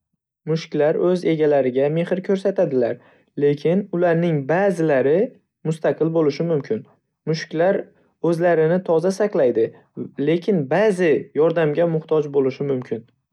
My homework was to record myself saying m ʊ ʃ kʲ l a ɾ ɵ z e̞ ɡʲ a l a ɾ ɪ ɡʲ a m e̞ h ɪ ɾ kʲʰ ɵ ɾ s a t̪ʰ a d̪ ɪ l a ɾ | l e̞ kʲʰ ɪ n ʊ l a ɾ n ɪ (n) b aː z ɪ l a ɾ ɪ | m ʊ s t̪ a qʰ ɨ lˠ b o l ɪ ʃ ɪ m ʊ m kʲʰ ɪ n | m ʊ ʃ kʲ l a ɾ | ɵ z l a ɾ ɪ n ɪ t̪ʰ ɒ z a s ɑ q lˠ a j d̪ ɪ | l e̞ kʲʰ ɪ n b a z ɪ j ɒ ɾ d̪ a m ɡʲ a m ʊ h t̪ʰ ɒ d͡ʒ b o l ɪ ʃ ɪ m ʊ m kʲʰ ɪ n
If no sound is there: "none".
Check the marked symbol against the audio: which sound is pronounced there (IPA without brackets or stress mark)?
ŋ